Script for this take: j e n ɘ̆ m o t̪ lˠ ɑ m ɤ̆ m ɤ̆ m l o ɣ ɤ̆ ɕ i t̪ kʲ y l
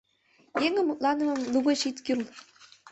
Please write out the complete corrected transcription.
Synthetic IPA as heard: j e ŋ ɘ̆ m u t̪ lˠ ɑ n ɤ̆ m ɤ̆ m l u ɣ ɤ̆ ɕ i t̪ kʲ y l